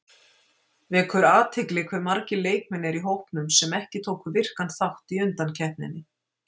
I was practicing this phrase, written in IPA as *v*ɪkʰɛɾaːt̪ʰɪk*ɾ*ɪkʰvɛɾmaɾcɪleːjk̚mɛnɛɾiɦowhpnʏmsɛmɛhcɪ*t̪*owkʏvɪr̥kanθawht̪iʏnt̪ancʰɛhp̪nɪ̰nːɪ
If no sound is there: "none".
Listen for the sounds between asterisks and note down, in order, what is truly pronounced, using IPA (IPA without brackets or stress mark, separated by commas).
v, l, t̪ʰ